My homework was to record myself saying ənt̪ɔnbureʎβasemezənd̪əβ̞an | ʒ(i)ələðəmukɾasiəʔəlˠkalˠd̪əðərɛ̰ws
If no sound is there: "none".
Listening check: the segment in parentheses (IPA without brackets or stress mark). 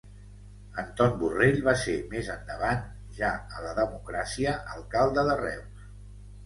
a